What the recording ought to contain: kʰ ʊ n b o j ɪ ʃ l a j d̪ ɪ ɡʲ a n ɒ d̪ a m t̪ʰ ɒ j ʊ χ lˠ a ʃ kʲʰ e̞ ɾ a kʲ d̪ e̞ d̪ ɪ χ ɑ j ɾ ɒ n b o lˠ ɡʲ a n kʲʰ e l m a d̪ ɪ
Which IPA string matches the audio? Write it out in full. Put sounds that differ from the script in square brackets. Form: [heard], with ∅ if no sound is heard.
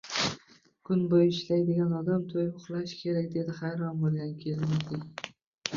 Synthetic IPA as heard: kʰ ʊ n b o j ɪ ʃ l a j d̪ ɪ ɡʲ a n ɒ d̪ a m t̪ʰ [o] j ʊ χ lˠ a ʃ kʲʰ e̞ ɾ a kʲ d̪ e̞ d̪ ɪ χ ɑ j ɾ ɒ n b o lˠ ɡʲ a n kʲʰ e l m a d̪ ɪ